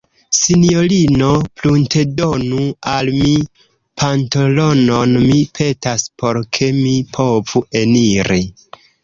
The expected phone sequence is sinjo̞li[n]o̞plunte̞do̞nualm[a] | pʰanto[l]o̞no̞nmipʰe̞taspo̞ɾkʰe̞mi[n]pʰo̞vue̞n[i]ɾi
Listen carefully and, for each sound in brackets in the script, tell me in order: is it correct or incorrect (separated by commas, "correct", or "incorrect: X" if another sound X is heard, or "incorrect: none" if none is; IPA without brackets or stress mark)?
correct, incorrect: i, correct, incorrect: none, correct